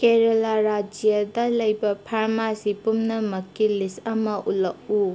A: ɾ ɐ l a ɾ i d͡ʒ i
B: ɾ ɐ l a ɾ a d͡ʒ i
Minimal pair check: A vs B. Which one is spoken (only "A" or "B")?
B